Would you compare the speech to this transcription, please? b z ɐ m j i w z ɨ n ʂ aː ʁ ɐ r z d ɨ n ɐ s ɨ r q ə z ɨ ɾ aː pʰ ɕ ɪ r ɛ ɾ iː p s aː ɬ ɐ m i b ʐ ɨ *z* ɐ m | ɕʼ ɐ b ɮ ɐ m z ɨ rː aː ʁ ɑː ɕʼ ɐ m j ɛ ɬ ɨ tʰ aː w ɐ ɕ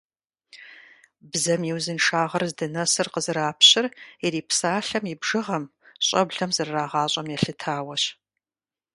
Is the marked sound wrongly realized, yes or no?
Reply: yes